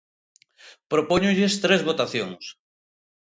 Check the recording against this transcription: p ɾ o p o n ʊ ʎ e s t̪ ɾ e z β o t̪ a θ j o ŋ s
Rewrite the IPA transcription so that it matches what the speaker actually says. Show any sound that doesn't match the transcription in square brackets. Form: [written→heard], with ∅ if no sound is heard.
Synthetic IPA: p ɾ o p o [n→ɲ] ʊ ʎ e s t̪ ɾ e z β o t̪ a θ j o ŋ s

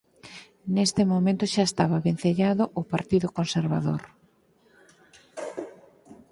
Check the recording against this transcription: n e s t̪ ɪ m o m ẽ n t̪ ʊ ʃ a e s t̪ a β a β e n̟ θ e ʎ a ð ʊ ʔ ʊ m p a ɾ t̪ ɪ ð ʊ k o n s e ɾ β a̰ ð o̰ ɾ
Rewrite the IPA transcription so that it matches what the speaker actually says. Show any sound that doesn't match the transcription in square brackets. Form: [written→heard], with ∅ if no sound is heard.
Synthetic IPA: n e s t̪ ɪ m o m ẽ n t̪ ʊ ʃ a e s t̪ a β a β e n̟ θ e ʎ a ð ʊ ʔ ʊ [m→∅] p a ɾ t̪ [ɪ→i] ð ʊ k o n s e ɾ β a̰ ð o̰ ɾ

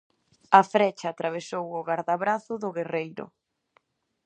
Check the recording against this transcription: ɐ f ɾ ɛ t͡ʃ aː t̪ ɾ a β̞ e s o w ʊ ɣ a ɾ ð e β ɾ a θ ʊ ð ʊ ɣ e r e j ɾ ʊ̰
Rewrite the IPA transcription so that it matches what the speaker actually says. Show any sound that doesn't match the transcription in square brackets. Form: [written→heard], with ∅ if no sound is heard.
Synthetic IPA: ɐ f ɾ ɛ t͡ʃ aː t̪ ɾ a β̞ e s o w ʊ ɣ a ɾ ð [e→a] β ɾ a θ ʊ ð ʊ ɣ e r e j ɾ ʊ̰

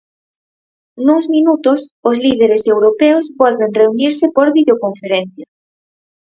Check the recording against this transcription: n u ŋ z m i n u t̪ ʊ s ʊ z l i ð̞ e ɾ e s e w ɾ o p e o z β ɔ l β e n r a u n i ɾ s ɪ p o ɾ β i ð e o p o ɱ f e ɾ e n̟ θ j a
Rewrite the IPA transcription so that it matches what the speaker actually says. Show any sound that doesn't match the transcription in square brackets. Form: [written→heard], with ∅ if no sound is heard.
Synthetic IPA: n u ŋ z m i n u t̪ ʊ s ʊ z l i ð̞ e ɾ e s e w ɾ o p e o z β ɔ l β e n r [a→e] u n i ɾ s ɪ p o ɾ β i ð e o [p→k] o ɱ f e ɾ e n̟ θ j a

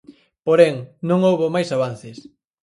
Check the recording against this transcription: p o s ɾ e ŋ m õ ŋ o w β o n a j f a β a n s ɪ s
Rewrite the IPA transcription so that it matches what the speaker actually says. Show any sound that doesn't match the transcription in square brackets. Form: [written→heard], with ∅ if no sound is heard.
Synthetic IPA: p o [s→∅] ɾ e ŋ [m→n] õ ŋ o w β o [n→m] a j [f→s] a β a n [s→θ] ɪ s

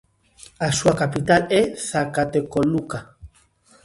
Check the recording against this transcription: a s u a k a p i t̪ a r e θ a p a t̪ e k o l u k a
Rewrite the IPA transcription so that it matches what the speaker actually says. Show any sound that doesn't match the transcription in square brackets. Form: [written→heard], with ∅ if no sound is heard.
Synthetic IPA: a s u a k a p i t̪ a [r→l] e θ a [p→k] a t̪ e k o l u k a

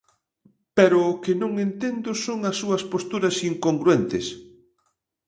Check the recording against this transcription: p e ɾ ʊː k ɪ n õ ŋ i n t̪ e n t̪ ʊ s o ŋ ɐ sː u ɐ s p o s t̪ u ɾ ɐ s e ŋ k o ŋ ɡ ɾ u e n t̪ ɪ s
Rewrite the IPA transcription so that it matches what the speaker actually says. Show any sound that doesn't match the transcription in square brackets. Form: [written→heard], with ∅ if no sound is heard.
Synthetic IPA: p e ɾ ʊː k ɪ n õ ŋ [i→e] n t̪ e n [t̪→d̪] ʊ s o ŋ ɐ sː u ɐ s p o s t̪ u ɾ ɐ s [e→i] ŋ k o ŋ ɡ ɾ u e n t̪ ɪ s

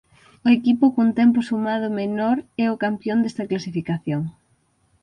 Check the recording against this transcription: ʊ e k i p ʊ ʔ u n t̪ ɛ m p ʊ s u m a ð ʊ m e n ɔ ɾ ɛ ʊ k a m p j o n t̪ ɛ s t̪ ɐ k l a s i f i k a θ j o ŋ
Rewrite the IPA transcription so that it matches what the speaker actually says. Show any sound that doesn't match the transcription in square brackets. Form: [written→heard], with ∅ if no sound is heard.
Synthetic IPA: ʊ e k i p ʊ [ʔ→k] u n t̪ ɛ m p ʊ s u m a ð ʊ m e n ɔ ɾ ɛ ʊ k a m p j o n [t̪→d̪] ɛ s t̪ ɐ k l a s i f i k a θ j o ŋ

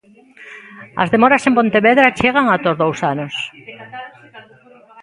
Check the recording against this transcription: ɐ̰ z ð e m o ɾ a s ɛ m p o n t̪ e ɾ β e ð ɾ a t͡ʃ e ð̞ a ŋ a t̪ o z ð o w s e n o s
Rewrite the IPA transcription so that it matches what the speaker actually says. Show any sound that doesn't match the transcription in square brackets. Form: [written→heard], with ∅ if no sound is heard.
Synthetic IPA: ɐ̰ z ð e m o ɾ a s [ɛ→e] m p o n t̪ e [ɾ→∅] β e ð ɾ a t͡ʃ e [ð̞→ɣ̞] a ŋ a t̪ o z ð o w s [e→a] n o s

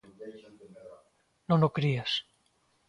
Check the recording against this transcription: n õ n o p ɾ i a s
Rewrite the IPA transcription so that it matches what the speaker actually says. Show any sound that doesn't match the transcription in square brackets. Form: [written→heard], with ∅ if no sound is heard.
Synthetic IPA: n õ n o [p→k] ɾ i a s

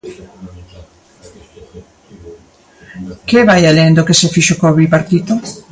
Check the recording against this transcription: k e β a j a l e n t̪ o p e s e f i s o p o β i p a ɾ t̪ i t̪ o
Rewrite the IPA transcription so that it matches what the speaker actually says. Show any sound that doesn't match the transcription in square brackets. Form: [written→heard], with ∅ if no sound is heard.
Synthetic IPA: k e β a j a l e n [t̪→d̪] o [p→k] e s e f i [s→ʃ] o [p→k] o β i p a ɾ t̪ i t̪ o

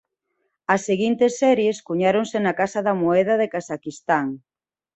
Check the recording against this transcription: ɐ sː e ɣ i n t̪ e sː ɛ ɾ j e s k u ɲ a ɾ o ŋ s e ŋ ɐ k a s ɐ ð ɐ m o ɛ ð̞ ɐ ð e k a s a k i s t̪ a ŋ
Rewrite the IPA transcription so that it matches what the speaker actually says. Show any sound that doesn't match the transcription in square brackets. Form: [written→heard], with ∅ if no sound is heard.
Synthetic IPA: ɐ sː e ɣ i n t̪ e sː ɛ ɾ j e s k u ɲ a ɾ o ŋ s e [ŋ→n] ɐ k a s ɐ ð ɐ m o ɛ ð̞ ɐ ð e k a s a k i s t̪ a ŋ

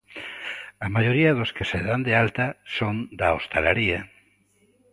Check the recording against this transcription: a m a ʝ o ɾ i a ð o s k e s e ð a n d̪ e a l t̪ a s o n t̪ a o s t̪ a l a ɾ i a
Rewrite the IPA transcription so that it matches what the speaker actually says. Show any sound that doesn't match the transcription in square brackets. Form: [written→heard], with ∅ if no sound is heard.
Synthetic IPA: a m a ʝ o ɾ i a ð o s k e s e ð a n d̪ e a l t̪ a s o n [t̪→d̪] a o s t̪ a l a ɾ i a

